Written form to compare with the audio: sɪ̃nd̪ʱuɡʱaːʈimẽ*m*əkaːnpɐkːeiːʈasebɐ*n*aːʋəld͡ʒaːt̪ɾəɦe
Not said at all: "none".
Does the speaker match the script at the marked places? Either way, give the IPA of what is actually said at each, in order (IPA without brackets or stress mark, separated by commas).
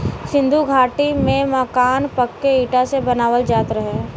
m, n